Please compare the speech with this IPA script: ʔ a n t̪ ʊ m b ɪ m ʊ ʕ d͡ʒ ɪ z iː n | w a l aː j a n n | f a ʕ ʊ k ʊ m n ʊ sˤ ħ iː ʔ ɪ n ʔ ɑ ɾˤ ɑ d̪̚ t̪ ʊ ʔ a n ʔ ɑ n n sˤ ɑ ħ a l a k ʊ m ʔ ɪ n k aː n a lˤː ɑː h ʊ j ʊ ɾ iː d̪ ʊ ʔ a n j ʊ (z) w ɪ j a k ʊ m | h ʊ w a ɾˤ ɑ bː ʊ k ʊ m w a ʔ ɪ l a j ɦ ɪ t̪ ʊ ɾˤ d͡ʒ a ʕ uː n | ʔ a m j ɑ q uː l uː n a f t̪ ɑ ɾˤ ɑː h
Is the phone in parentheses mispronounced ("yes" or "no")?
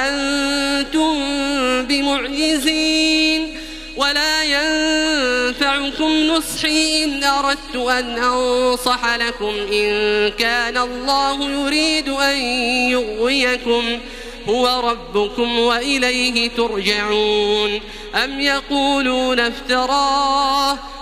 yes